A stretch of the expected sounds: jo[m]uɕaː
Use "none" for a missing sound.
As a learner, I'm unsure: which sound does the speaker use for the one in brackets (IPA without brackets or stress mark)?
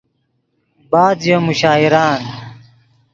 m